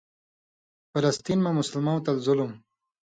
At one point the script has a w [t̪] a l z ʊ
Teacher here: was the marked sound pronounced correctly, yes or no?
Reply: yes